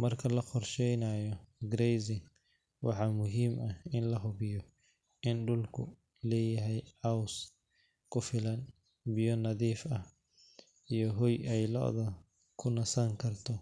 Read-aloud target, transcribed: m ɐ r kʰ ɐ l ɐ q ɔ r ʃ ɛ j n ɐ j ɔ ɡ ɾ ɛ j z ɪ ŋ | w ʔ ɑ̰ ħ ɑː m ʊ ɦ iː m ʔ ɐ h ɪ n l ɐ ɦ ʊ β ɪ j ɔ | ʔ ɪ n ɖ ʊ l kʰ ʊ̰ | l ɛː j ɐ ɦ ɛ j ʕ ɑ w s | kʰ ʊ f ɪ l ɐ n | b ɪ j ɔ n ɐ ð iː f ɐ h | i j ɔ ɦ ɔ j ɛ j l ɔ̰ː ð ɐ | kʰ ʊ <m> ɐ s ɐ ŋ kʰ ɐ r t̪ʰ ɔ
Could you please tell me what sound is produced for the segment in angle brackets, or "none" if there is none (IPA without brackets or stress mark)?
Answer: n